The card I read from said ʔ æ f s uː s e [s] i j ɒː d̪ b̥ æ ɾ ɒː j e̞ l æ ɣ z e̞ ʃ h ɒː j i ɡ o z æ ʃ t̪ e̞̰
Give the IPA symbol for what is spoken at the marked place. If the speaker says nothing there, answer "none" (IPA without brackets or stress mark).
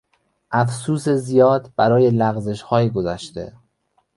z